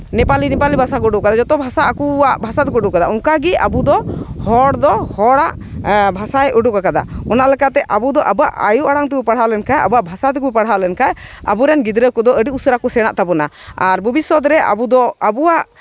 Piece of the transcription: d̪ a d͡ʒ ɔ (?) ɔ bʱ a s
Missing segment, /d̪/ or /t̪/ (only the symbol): t̪